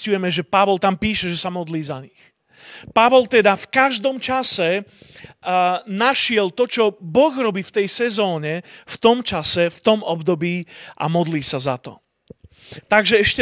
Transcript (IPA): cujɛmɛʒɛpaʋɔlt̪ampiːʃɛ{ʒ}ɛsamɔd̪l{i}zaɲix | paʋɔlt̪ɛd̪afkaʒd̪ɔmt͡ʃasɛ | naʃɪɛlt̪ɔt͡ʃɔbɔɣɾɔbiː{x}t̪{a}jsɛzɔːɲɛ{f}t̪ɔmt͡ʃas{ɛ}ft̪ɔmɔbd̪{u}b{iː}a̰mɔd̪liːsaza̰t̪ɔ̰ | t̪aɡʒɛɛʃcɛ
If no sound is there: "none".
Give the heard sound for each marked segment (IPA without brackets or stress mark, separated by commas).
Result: ʒ, iː, f, ɛ, f, ɛ, ɔ, iː